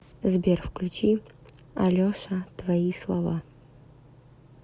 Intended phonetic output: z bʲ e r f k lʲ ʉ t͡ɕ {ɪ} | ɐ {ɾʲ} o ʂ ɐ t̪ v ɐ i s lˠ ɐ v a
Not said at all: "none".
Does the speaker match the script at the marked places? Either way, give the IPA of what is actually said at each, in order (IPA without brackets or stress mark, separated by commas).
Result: i, lʲ